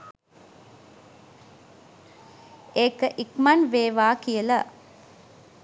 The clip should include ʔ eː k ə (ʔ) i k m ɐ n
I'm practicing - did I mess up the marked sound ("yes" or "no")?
no